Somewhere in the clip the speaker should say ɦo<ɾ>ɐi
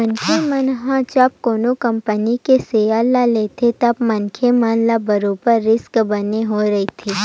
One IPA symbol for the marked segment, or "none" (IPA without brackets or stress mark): ɾ